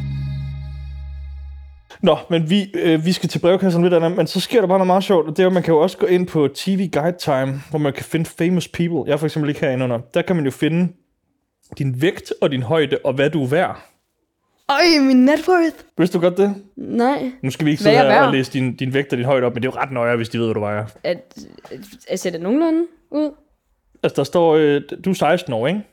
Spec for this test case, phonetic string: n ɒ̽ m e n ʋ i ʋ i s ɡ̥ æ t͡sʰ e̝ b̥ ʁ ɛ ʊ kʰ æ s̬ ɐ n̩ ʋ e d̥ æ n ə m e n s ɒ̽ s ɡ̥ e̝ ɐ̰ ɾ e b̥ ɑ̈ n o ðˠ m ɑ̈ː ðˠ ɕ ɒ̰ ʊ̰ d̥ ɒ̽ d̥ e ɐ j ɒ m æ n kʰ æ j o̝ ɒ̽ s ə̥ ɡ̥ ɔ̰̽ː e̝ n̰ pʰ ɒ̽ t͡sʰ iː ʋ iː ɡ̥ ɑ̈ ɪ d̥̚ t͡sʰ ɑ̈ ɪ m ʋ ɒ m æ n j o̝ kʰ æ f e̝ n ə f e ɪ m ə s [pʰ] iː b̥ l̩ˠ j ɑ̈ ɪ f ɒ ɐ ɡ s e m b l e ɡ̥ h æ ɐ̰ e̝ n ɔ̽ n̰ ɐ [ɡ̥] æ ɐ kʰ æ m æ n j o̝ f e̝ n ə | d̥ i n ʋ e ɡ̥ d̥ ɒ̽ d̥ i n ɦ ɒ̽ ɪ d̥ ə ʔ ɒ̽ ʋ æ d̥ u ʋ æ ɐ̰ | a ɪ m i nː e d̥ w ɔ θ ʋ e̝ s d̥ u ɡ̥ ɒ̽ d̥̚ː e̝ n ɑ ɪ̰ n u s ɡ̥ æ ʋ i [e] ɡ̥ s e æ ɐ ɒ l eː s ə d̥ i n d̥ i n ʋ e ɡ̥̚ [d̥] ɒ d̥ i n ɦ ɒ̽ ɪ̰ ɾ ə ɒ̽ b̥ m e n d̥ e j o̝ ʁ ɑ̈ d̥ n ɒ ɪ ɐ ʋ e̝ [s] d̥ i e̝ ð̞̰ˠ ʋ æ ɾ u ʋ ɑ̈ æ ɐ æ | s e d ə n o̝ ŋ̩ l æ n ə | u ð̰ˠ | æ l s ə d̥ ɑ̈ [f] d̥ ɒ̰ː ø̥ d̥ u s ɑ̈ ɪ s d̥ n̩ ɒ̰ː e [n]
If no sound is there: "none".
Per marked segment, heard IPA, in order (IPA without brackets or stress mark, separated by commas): pʰ, d̥, e, d̥, s, s, ŋ